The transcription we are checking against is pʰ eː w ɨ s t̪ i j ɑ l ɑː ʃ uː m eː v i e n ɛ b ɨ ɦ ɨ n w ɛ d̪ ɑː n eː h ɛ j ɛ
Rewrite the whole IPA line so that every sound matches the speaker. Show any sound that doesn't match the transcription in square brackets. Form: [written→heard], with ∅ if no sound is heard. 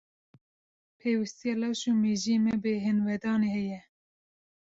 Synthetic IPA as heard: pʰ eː w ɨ s t̪ i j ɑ l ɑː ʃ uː m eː [v→ʒ] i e [n→m] ɛ b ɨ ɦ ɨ n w ɛ d̪ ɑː n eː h ɛ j ɛ

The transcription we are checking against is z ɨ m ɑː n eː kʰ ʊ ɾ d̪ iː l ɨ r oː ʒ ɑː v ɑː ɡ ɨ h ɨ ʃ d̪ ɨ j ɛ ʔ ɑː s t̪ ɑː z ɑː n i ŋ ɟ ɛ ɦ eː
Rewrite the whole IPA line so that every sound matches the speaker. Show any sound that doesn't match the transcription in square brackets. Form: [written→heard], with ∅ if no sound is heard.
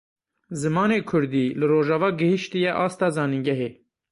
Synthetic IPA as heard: z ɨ m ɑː n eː kʰ ʊ ɾ d̪ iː l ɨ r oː ʒ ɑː v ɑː ɡ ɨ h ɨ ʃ [d̪→t̪] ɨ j ɛ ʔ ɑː s t̪ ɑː z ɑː n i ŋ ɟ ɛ ɦ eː

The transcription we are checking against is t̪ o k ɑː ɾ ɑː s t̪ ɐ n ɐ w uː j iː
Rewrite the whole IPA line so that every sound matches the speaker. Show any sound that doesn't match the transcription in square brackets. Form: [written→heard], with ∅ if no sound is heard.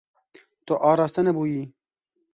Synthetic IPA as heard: t̪ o [k→ʔ] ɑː ɾ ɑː s t̪ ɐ n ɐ [w→b] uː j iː

